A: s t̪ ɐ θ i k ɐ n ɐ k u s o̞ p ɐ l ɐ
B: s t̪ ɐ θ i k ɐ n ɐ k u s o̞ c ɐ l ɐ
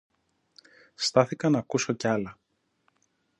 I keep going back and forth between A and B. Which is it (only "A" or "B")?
B